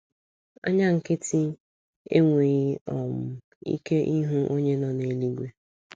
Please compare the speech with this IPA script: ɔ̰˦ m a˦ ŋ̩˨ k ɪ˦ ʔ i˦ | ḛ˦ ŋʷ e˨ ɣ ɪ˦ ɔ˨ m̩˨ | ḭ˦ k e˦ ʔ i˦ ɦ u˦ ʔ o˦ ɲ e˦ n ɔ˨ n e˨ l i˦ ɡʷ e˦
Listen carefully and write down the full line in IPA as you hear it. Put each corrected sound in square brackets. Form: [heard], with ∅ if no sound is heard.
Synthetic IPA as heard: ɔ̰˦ [ɲ] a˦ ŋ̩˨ k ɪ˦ [t] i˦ | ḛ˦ ŋʷ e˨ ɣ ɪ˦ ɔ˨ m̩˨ | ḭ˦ k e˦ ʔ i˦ ɦ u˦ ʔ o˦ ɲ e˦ n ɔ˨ n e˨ l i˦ ɡʷ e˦